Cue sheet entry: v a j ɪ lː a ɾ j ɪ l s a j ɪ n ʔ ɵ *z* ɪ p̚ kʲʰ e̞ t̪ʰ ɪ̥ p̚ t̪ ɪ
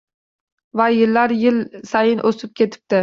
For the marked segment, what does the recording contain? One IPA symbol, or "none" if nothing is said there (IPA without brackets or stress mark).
s